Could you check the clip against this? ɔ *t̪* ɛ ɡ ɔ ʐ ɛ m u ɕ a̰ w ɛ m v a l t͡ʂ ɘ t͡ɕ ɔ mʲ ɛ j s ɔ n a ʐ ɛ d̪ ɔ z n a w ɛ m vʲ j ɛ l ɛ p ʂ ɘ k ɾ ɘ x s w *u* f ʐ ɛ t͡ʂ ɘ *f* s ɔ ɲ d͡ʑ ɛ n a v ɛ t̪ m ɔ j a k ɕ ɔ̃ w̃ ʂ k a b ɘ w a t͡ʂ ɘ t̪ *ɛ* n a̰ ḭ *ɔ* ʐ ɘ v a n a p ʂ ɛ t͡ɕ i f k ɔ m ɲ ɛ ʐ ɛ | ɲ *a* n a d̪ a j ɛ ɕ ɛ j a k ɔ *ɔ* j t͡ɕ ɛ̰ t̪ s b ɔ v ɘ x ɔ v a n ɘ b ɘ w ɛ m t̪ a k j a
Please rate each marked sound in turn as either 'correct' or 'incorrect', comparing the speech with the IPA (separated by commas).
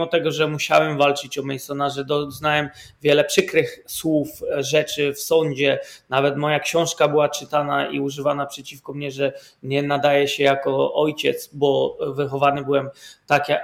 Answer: correct, correct, correct, incorrect, incorrect, incorrect, correct